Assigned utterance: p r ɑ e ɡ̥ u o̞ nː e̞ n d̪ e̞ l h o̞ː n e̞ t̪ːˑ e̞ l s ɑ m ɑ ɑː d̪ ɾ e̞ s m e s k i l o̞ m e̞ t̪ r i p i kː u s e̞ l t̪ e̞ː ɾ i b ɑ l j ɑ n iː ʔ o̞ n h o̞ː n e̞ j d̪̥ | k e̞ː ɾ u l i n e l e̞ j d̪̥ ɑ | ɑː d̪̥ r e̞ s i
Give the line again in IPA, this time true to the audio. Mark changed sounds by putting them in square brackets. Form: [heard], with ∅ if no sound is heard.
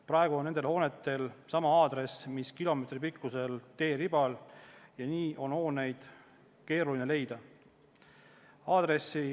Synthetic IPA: p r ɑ e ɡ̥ u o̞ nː e̞ n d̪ e̞ l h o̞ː n e̞ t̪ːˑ e̞ l s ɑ m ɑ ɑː d̪ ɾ e̞ s m [i] s k i l o̞ m e̞ t̪ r i p i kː u s e̞ l t̪ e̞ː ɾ i b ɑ l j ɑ n iː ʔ o̞ n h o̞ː n e̞ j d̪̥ | k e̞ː ɾ u l i n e l e̞ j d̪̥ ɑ | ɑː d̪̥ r e̞ s i